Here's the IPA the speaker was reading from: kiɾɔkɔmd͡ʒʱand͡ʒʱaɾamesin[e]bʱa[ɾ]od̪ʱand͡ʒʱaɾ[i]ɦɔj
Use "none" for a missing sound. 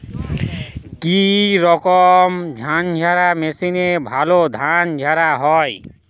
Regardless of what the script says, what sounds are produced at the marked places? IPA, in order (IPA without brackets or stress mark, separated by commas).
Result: e, l, a